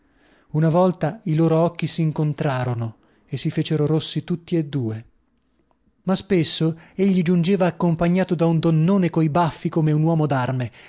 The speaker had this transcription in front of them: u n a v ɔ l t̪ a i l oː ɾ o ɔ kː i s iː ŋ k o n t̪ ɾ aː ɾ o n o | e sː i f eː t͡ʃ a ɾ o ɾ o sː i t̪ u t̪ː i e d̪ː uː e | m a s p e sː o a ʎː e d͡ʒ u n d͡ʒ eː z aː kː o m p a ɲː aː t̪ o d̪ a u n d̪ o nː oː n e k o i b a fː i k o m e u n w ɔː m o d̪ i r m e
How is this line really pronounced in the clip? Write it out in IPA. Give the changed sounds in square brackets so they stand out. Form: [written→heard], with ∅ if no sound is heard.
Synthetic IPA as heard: u n a v ɔ l t̪ a i l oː ɾ o ɔ kː i s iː ŋ k o n t̪ ɾ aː ɾ o n o | e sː i f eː t͡ʃ [a→e] ɾ o ɾ o sː i t̪ u t̪ː i e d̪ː uː e | m a s p e sː o [a→e] ʎː [e→i] d͡ʒ u n d͡ʒ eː [z→v] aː kː o m p a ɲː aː t̪ o d̪ a u n d̪ o nː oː n e k o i b a fː i k o m e u n w ɔː m o d̪ [i→a] r m e